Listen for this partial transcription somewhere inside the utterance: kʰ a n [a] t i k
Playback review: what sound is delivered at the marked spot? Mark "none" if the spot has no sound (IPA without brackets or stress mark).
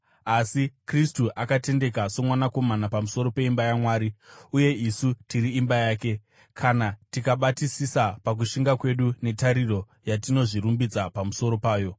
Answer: a